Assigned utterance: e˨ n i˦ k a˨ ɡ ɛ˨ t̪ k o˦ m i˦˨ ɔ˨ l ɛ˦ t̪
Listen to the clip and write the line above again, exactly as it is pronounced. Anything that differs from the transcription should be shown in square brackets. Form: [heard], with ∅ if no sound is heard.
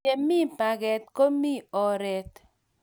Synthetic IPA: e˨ [m] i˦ [p] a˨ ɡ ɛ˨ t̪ k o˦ m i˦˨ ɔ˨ [ɾ] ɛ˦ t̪